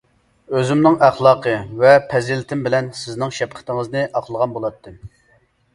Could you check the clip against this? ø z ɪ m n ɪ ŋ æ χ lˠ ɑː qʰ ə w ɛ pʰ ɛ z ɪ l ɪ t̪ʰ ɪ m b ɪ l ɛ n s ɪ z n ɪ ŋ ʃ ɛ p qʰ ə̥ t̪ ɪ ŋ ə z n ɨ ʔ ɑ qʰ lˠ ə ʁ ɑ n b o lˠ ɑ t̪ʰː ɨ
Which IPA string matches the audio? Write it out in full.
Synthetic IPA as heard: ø z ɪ m n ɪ ŋ æ χ lˠ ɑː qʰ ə v ɛ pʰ ɛ z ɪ l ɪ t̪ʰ ɪ m b ɪ l ɛ n s ɪ z n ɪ ŋ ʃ ɛ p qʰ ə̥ t̪ ɪ ŋ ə z n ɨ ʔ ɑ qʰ lˠ ə ʁ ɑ n b o lˠ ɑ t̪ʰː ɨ

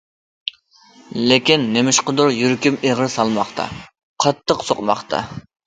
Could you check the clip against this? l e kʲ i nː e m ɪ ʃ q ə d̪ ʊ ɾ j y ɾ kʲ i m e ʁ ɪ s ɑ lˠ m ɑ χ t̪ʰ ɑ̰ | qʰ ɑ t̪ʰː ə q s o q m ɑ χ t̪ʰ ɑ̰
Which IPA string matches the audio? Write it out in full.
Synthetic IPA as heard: l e kʲ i nː e m ɪ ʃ q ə d̪ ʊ ɾ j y ɾ kʲ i m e ʁ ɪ s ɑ lˠ m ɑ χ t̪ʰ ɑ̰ | qʰ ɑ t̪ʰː ə q s o q m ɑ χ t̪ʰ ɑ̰

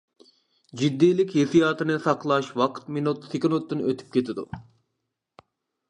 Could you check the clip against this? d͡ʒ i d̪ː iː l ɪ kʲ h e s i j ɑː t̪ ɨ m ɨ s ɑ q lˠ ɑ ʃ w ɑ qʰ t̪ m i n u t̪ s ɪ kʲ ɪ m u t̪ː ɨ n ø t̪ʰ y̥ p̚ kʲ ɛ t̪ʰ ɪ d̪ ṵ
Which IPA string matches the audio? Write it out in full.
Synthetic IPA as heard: d͡ʒ i d̪ː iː l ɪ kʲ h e s i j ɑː t̪ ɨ n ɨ s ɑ q lˠ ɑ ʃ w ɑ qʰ t̪ m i n u t̪ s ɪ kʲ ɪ n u t̪ː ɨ n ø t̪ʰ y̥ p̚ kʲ e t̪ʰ ɪ d̪ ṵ

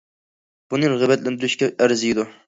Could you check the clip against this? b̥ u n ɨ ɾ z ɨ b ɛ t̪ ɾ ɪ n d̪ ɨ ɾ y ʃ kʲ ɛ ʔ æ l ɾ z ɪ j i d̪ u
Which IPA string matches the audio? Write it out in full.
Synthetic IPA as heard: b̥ u n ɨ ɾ ʁ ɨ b ɛ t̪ l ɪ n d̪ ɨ ɾ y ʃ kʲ ɛ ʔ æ ɾ z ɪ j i d̪ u

